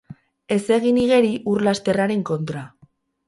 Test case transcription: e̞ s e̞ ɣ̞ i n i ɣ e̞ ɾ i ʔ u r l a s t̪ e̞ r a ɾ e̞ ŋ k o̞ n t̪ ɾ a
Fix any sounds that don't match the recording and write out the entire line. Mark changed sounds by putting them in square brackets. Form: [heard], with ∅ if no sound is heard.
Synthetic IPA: e̞ s e̞ ɣ̞ i n i ɣ e̞ ɾ i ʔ u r l a s t̪ e̞ r a ɾ e̞ ŋ k o̞ n t̪ ɾ a

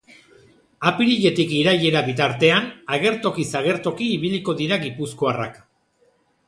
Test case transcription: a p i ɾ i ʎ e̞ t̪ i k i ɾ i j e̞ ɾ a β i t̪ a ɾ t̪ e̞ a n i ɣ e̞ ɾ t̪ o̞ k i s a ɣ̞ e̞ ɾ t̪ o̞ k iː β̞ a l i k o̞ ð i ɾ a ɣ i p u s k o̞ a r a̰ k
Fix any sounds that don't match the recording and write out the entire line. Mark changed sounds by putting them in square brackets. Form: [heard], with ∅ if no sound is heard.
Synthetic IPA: a p i ɾ i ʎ e̞ t̪ i k i ɾ [a] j e̞ ɾ a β i t̪ a ɾ t̪ e̞ a n [a] ɣ e̞ ɾ t̪ o̞ k i s a ɣ̞ e̞ ɾ t̪ o̞ k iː β̞ [i] l i k o̞ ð i ɾ a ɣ i p u s k o̞ a r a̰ k

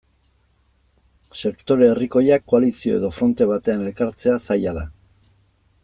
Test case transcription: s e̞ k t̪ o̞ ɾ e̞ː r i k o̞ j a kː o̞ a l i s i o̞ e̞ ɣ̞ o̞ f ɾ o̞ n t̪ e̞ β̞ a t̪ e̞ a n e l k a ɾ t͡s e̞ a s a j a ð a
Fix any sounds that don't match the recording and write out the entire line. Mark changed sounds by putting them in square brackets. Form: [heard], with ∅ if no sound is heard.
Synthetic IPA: s e̞ k t̪ o̞ ɾ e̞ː r i k o̞ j a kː o̞ a l i s i o̞ e̞ [ð̞] o̞ f ɾ o̞ n t̪ e̞ β̞ a t̪ e̞ a n e l k a ɾ t͡s e̞ a s a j a ð a

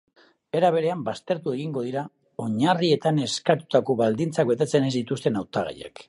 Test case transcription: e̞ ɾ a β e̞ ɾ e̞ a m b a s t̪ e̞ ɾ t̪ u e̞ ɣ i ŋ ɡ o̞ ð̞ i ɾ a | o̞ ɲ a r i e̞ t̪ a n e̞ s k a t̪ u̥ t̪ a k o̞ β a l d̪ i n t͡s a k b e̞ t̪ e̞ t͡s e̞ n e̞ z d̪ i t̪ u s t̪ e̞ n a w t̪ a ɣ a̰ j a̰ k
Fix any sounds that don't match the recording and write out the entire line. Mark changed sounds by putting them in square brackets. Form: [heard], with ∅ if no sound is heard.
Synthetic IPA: e̞ ɾ a β e̞ ɾ e̞ a m b a s t̪ e̞ ɾ t̪ u e̞ ɣ i ŋ ɡ o̞ ð̞ i ɾ a | o̞ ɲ a r i e̞ t̪ a n e̞ s k a t̪ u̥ t̪ a k o̞ β a l d̪ i n t͡s a k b e̞ t̪ e̞ t͡s e̞ n e̞ z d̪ i t̪ u s t̪ e̞ n a w t̪ a ɣ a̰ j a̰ k

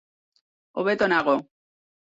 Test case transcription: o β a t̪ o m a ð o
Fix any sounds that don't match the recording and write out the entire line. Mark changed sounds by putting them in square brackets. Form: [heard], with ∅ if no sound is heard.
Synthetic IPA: o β [e] t̪ o [n] a [ɣ] o

